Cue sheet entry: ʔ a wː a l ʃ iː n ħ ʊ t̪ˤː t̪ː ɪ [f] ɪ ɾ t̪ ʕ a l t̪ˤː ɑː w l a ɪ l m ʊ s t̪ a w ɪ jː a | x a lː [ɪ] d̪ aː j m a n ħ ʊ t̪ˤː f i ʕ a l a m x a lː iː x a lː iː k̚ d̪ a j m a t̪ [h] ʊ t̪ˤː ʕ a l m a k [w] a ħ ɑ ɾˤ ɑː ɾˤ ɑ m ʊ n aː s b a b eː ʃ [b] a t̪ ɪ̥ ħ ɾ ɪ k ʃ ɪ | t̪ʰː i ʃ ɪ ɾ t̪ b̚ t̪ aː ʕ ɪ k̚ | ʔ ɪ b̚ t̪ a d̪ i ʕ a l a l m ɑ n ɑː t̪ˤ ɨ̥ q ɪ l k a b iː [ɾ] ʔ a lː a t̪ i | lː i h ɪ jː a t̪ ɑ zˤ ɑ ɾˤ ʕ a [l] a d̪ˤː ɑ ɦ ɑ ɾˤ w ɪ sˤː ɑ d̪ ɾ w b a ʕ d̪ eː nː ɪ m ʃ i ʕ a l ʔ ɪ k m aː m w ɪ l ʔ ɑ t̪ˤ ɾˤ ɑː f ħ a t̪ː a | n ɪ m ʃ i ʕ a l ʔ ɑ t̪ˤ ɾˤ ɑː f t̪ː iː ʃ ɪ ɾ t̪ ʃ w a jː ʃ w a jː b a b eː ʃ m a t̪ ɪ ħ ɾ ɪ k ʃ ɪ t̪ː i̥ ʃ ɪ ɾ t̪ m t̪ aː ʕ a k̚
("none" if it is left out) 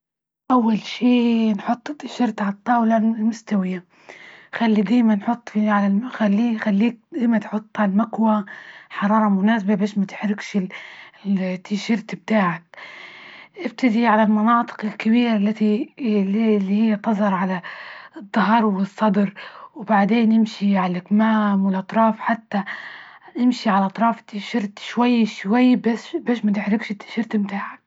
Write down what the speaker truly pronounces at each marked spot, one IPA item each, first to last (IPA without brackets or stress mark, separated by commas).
ʃ, i, ħ, w, m, ɾ, l